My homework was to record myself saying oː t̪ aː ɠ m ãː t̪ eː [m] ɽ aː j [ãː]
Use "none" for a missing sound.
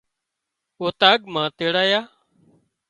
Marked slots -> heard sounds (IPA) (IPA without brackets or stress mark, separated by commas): none, aː